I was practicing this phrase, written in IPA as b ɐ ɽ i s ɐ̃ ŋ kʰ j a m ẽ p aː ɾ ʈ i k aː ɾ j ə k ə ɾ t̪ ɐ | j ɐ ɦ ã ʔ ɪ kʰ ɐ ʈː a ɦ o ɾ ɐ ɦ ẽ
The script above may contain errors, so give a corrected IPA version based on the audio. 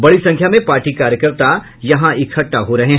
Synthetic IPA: b ɐ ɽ i s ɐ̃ ŋ kʰ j a m ẽ p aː ɾ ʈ i k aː ɾ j ə k ə ɾ t̪ a | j ɐ ɦ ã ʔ ɪ kʰ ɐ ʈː a ɦ o ɾ ɐ ɦ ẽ